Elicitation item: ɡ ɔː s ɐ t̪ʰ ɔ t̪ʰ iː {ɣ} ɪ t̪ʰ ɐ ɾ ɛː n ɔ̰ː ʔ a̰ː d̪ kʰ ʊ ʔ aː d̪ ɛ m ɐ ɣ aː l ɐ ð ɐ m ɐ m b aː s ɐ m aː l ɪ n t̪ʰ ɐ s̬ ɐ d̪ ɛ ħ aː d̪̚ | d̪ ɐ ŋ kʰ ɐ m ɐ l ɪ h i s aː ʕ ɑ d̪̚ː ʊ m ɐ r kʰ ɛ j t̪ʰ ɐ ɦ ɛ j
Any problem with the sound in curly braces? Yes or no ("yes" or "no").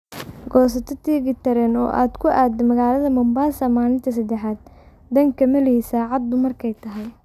no